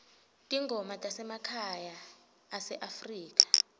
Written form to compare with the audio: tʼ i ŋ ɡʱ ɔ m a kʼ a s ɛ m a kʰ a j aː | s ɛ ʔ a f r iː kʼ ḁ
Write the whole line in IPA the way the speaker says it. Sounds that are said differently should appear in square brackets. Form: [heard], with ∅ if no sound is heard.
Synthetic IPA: tʼ i ŋ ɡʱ ɔ m a [tʼ] a s ɛ m a kʰ a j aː | s ɛ ʔ a f r iː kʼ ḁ

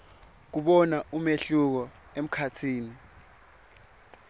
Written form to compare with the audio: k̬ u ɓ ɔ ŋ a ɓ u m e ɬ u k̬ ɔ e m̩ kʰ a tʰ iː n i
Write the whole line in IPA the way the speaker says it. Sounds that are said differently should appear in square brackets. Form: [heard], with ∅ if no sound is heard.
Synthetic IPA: k̬ u ɓ ɔ [n] a [∅] u m e ɬ u k̬ ɔ e m̩ kʰ a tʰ iː n i

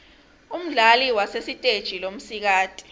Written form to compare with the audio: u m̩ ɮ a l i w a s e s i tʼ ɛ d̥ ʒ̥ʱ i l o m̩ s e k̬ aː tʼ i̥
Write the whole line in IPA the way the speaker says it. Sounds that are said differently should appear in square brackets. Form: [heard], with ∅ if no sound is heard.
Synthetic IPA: u m̩ ɮ a l i w a s e s i tʼ [e] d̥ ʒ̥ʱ i l o m̩ s [i] k̬ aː tʼ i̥

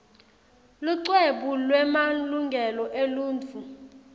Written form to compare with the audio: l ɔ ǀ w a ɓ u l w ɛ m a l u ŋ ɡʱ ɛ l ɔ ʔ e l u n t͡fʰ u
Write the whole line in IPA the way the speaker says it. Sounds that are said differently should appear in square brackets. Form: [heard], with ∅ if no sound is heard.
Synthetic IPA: l [u] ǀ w [e] ɓ u l w ɛ m a l u ŋ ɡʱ ɛ l ɔ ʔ e l [uː] n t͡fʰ u

